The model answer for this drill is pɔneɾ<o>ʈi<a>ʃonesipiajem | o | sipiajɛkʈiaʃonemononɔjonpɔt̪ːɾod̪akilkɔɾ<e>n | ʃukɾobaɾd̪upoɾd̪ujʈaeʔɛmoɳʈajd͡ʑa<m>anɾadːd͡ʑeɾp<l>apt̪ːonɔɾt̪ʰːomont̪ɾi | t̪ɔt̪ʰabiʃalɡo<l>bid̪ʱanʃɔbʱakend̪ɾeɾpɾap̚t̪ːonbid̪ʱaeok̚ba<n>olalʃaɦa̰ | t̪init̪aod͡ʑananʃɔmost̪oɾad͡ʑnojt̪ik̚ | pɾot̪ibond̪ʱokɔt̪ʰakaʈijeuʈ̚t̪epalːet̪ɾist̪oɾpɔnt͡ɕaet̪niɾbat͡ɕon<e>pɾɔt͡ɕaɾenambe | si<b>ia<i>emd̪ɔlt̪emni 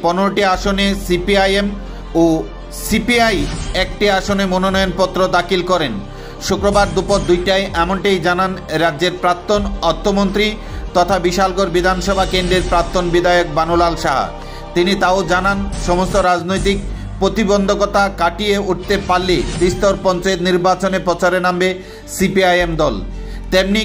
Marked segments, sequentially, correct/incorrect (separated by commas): correct, correct, correct, incorrect, incorrect, incorrect, correct, correct, incorrect, incorrect